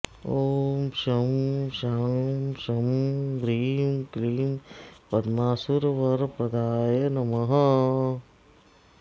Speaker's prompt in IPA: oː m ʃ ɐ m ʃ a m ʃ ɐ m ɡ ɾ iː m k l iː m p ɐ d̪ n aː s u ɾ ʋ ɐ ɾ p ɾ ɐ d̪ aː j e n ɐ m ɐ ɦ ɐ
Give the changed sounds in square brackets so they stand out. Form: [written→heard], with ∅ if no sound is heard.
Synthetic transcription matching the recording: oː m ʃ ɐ m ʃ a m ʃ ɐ m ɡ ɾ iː m k l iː m p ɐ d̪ [n→m] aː s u ɾ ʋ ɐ ɾ p ɾ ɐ d̪ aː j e n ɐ m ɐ ɦ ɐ